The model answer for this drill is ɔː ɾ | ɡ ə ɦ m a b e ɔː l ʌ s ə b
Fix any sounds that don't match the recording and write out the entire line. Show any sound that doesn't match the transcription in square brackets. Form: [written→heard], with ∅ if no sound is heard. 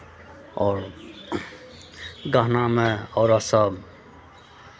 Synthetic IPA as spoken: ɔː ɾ | ɡ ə ɦ [m→n] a [b→m] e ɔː [l→ɾ] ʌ s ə b